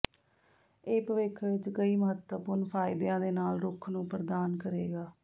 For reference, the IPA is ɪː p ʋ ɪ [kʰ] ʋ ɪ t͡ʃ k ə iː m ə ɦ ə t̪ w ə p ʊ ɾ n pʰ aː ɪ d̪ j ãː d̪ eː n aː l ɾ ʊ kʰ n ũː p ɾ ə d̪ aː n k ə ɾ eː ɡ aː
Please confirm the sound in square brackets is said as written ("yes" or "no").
yes